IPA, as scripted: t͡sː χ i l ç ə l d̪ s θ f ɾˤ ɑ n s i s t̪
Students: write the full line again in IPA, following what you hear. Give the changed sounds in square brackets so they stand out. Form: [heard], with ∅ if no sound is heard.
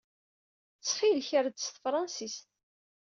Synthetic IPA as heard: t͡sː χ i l ç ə [ɾ] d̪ s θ f ɾˤ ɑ n s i s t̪